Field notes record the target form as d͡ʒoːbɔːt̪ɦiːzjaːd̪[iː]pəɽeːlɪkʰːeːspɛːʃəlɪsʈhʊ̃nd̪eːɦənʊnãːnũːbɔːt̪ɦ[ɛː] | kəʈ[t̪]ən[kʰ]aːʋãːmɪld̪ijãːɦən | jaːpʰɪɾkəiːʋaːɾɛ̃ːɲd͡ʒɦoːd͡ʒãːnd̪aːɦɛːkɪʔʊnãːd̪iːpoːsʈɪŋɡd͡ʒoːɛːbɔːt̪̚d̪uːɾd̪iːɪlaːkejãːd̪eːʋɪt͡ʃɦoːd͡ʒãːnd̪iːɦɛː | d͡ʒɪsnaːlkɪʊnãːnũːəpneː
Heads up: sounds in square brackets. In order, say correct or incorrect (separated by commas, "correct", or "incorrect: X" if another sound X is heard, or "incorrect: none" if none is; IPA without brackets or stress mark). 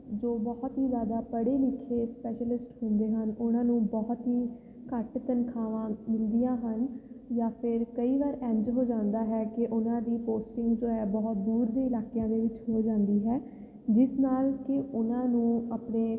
incorrect: aː, incorrect: iː, correct, correct